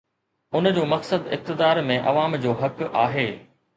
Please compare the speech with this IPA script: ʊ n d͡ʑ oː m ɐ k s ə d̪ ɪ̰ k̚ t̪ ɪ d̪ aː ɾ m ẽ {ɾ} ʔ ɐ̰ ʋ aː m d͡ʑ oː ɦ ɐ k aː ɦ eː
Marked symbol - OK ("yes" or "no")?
no